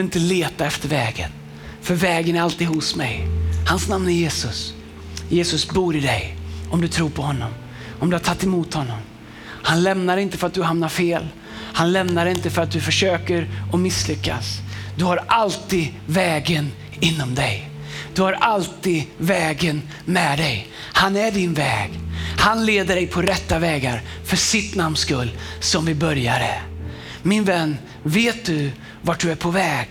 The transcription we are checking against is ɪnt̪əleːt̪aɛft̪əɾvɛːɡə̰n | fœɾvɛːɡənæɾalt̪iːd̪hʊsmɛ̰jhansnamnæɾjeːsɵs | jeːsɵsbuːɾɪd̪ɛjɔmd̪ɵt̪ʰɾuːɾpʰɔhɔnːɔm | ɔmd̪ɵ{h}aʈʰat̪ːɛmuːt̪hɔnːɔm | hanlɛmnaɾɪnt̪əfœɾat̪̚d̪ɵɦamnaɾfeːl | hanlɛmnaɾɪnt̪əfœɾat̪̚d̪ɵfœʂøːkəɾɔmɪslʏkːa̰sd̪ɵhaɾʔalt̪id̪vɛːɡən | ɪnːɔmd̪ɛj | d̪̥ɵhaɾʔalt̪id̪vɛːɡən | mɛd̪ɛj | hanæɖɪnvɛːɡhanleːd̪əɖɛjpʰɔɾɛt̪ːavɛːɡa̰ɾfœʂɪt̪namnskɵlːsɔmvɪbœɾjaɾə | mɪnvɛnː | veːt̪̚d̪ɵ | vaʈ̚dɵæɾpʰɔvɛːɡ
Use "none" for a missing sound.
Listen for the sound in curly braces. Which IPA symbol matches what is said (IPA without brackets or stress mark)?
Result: h